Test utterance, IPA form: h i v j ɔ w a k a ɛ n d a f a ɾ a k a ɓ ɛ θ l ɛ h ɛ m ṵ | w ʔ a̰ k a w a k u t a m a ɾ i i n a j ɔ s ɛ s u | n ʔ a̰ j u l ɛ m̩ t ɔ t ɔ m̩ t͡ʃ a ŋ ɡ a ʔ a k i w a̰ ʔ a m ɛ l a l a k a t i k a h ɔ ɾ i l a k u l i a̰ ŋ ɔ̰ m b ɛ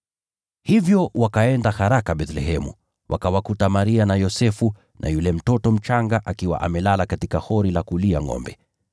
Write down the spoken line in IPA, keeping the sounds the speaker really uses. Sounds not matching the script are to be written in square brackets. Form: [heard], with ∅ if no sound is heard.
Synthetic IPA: h i v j ɔ w a k a ɛ n d a [h] a ɾ a k a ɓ ɛ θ l ɛ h ɛ m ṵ | w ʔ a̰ k a w a k u t a m a ɾ i [a] n a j ɔ s ɛ [f] u | n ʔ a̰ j u l ɛ m̩ t ɔ t ɔ m̩ t͡ʃ a ŋ ɡ a ʔ a k i w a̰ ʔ a m ɛ l a l a k a t i k a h ɔ ɾ i l a k u l i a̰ ŋ ɔ̰ m b ɛ